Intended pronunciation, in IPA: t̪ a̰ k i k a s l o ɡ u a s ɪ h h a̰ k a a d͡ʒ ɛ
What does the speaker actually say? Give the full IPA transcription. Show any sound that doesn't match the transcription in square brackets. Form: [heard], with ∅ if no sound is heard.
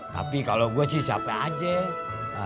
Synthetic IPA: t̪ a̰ [p] i k a [∅] l o ɡ u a s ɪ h [s] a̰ [p] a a d͡ʒ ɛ